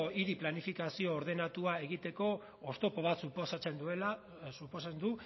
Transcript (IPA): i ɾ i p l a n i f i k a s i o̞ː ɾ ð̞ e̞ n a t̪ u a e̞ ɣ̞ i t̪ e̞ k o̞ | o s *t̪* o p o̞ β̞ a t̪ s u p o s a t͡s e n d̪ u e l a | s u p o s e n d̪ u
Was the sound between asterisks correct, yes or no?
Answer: yes